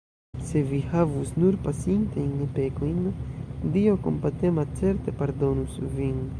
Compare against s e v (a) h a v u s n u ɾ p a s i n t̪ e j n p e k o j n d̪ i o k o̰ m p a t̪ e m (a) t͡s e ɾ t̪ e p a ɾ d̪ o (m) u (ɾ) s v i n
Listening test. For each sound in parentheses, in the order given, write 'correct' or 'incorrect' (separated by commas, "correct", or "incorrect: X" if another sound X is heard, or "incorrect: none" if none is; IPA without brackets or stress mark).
incorrect: i, correct, incorrect: n, incorrect: none